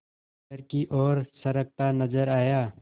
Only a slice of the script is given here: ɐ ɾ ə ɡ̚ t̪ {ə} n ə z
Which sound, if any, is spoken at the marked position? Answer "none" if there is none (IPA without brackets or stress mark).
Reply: a